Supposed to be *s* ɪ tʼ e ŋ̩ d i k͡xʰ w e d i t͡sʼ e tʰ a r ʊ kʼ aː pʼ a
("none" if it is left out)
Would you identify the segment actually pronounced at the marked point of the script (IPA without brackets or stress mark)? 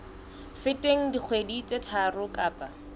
f